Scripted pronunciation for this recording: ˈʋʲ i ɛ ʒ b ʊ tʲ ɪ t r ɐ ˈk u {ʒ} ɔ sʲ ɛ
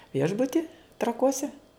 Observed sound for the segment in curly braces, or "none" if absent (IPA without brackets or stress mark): none